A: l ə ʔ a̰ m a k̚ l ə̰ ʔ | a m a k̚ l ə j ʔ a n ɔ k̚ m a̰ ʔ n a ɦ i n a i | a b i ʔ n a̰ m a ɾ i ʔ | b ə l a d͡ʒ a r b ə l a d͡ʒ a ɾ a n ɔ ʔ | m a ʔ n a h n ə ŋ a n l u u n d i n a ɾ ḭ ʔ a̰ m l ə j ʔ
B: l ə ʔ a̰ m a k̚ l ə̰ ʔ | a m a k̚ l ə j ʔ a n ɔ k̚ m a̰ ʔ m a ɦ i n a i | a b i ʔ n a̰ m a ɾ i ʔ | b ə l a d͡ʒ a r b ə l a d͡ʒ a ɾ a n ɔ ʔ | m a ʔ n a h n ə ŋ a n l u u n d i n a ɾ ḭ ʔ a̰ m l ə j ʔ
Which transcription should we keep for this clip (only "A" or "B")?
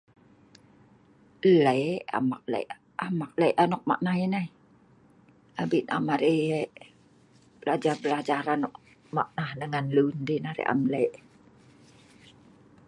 A